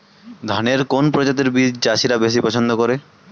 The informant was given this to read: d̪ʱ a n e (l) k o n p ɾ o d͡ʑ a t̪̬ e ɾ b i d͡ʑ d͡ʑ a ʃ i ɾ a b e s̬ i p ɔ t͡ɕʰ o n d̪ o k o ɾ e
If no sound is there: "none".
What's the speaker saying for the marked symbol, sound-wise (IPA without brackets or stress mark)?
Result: ɾ